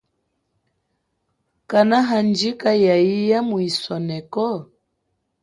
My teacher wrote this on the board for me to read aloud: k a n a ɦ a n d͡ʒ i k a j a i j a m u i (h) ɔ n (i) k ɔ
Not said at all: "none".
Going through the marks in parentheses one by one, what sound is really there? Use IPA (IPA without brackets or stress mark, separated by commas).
s, ɛ